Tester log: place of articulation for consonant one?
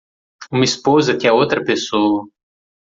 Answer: labial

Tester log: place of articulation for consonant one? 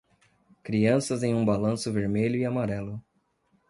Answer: velar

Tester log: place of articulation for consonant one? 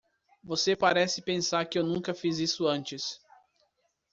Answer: labial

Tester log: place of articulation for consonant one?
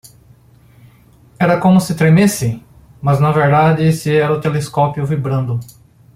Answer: alveolar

